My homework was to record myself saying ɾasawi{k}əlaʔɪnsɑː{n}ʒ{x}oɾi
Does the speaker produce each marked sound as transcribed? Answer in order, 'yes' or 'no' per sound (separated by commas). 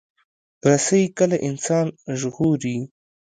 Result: yes, yes, no